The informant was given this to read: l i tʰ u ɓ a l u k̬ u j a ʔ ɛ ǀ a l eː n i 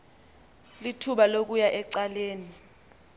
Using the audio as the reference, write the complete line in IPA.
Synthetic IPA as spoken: l i tʰ u ɓ a l o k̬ u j a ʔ ɛ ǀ a l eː n i